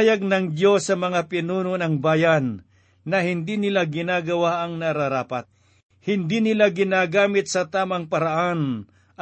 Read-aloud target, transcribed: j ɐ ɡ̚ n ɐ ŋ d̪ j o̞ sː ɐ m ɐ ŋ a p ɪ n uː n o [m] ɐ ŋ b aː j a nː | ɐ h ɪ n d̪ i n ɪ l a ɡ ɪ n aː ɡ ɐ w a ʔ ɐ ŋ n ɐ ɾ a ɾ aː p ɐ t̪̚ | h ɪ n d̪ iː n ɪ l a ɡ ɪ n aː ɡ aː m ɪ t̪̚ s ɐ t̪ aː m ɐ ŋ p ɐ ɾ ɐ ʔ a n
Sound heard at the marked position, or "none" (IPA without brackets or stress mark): n